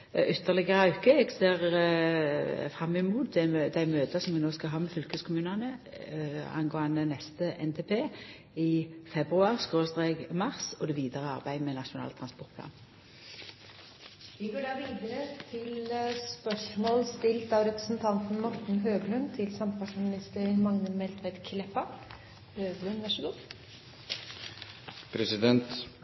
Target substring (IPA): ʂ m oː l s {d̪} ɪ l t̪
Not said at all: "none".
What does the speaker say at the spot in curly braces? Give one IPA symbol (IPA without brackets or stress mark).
t̪